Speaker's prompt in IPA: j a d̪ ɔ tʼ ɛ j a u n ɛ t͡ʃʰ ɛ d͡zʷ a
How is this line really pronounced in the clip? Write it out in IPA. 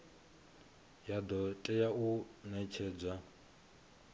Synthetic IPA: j a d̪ ɔ tʼ ɛ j a u n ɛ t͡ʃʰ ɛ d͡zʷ a